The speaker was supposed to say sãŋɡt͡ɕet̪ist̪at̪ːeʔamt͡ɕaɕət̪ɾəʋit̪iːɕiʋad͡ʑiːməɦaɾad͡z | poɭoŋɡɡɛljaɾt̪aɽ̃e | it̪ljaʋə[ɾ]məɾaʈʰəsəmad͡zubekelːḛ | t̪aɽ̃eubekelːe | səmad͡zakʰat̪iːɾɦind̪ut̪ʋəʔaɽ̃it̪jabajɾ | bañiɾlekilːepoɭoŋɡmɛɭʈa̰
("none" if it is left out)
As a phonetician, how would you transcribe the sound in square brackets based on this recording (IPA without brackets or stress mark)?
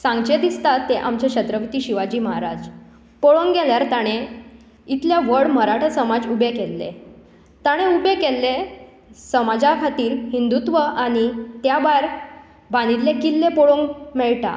ɽ